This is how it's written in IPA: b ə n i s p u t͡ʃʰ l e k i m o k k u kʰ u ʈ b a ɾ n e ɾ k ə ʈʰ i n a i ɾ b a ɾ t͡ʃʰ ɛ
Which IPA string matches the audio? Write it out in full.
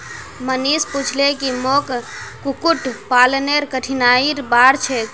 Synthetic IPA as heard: m ə n i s p u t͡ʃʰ l e k i m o k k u k u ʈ p a l n e ɾ k ə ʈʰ i n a i ɾ b a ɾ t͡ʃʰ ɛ